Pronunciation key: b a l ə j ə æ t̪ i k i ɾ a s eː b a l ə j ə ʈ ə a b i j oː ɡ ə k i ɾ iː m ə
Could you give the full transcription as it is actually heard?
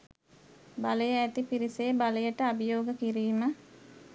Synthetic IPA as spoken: b a l ə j ə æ t̪ i p i ɾ i s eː b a l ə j ə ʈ ə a b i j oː ɡ ə k i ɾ iː m ə